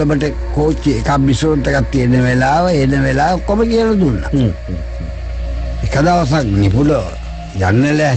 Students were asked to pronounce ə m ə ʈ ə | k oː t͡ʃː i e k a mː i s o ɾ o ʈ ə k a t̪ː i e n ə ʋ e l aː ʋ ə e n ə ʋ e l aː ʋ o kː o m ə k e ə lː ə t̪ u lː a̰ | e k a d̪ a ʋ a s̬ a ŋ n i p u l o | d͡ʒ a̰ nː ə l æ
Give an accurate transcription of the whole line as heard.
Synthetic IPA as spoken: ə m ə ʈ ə | k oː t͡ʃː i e k a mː i s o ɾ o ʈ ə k a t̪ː i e n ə ʋ e l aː ʋ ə e n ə ʋ e l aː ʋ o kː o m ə k i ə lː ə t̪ u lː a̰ | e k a d̪ a ʋ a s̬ a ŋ n i p u l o | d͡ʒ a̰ nː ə l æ